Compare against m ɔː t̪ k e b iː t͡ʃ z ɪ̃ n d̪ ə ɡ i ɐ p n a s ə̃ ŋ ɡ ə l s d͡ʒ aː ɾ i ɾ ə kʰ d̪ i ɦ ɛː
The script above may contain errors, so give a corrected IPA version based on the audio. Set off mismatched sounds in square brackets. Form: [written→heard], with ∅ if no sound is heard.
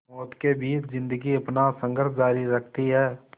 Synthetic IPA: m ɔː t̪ k e b iː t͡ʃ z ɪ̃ n d̪ ə ɡ i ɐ p n a s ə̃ ŋ ɡ ə [l→ɾ] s d͡ʒ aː ɾ i ɾ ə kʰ [d̪→t̪] i ɦ ɛː